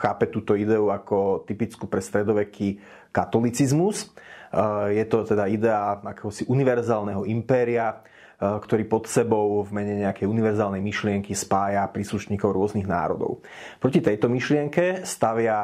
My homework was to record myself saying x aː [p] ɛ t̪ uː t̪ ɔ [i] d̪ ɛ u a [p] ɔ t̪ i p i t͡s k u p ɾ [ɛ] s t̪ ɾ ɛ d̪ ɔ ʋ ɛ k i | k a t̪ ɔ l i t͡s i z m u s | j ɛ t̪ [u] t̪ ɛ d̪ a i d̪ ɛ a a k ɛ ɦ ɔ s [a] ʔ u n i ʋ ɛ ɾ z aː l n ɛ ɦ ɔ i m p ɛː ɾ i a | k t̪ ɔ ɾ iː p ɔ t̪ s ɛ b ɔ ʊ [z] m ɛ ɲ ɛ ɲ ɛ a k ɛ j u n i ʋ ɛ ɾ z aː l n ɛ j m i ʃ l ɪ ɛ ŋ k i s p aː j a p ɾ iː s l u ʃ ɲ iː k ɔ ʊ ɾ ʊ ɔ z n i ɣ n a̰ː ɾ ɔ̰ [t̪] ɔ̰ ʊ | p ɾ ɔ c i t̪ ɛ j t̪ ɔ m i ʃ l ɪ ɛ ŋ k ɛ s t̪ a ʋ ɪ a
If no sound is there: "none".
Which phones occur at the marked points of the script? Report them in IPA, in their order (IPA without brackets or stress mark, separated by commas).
p, i, k, ɛ, ɔ, i, v, d̪